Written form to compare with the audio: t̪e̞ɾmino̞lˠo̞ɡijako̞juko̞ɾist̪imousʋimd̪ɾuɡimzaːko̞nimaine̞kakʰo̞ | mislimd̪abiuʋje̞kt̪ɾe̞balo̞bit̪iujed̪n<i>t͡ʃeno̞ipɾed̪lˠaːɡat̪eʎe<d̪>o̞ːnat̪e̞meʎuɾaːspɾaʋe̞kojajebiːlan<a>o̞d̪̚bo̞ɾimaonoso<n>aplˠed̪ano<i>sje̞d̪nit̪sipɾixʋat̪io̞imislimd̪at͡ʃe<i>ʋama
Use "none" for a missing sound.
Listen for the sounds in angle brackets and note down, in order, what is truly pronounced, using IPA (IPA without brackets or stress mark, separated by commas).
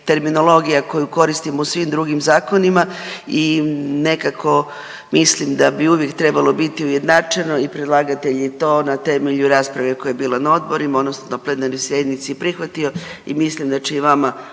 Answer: a, t̪, a, n, j, i